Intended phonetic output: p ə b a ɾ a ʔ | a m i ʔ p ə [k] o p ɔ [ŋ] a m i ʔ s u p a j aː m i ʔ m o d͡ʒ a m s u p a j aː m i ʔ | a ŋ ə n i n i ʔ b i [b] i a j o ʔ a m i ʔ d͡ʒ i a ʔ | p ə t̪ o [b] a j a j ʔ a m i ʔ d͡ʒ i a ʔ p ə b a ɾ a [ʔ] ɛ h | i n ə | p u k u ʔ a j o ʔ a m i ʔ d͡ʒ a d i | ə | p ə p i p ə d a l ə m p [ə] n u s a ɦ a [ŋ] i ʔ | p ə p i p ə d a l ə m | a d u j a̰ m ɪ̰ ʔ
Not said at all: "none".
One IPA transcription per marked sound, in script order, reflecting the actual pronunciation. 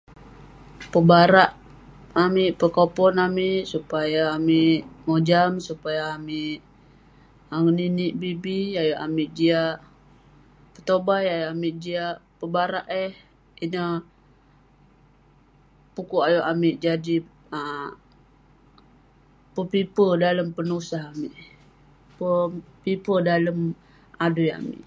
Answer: k, n, b, b, ʔ, ə, m

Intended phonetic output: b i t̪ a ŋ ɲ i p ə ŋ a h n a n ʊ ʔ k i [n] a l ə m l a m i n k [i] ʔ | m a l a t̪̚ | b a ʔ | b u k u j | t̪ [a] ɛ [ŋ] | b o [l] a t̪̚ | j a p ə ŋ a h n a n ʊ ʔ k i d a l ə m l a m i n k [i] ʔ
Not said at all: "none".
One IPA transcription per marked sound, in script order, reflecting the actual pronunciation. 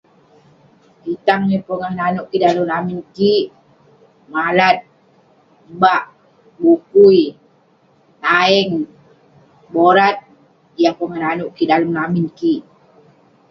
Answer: d, i, a, ŋ, ɾ, i

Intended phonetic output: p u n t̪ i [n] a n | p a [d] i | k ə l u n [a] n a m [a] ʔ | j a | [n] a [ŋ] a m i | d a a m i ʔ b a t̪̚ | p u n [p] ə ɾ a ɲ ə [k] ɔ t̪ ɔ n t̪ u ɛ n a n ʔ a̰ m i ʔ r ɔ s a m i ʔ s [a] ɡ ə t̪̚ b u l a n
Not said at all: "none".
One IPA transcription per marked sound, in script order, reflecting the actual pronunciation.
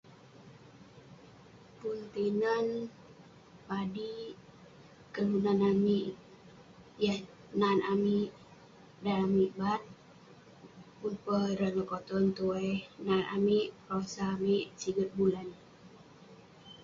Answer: n, d, a, i, n, n, p, k, i

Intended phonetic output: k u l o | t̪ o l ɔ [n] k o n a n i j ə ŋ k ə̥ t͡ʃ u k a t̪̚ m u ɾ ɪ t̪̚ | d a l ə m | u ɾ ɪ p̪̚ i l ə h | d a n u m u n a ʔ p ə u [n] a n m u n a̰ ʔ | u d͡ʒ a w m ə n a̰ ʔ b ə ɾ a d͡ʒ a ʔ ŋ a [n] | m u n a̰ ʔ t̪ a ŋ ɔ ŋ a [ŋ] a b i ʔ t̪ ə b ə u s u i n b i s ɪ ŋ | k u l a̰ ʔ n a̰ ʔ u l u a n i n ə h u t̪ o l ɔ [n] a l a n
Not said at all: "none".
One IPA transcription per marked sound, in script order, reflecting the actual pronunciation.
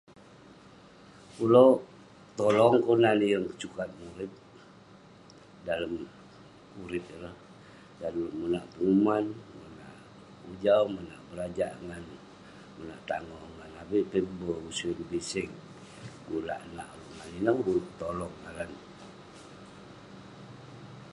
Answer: ŋ, m, n, n, ŋ

